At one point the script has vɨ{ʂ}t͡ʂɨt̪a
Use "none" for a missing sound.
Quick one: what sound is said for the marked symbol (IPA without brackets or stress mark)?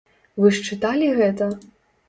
ʂ